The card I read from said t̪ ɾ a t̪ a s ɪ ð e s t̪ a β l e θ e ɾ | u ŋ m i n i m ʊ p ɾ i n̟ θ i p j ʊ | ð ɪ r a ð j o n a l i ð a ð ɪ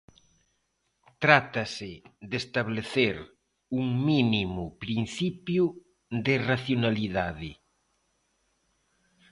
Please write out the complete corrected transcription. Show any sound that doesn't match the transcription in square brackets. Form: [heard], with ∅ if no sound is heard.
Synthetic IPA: t̪ ɾ a t̪ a s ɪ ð e s t̪ a β l e θ e ɾ | u ŋ m i n i m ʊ p ɾ i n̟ θ i p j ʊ | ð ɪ r a [θ] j o n a l i ð a ð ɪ